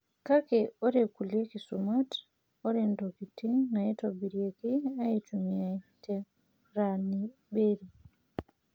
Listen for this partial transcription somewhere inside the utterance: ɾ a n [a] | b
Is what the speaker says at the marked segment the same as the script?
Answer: no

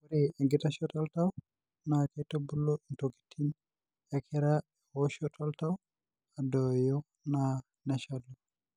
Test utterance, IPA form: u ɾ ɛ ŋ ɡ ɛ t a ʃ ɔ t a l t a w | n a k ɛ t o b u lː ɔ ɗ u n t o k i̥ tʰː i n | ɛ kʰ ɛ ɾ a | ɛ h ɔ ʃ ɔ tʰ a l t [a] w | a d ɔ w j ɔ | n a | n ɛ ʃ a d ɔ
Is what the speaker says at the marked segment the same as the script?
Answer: yes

